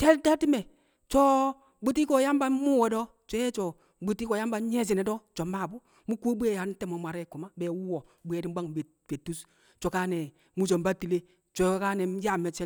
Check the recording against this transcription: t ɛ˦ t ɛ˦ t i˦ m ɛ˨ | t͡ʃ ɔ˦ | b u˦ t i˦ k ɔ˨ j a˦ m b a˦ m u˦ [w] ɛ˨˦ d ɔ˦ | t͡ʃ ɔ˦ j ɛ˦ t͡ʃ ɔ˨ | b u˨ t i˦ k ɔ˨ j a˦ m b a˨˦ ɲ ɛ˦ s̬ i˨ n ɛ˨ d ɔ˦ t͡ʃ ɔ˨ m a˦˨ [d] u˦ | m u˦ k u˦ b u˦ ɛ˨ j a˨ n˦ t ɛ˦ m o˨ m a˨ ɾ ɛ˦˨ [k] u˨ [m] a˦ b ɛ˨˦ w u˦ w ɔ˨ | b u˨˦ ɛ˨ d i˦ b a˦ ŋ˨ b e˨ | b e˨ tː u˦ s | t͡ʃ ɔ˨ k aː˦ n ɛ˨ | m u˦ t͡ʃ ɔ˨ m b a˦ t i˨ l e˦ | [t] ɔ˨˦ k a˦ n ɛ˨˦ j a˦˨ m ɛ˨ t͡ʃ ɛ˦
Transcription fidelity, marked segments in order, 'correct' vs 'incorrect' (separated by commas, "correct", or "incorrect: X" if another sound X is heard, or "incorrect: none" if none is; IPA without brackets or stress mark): correct, incorrect: b, correct, correct, incorrect: t͡ʃ